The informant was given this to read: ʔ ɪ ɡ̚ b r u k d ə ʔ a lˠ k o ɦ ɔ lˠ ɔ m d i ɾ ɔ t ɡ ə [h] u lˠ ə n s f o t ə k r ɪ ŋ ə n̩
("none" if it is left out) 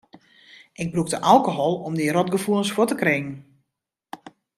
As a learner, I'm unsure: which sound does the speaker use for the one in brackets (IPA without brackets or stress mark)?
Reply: f